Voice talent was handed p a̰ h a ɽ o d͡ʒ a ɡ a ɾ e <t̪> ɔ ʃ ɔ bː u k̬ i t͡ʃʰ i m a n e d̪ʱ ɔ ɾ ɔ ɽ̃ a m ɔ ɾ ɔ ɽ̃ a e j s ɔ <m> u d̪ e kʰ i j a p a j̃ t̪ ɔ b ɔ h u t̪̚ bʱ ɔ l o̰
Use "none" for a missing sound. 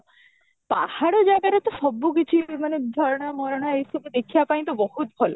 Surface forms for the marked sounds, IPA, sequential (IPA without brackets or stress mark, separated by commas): t̪, b